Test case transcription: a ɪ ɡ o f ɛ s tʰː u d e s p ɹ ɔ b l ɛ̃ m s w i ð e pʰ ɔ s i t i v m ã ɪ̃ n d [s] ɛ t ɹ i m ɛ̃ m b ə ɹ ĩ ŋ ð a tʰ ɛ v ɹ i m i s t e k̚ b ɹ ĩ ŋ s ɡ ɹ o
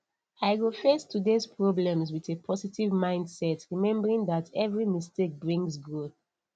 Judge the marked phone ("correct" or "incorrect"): correct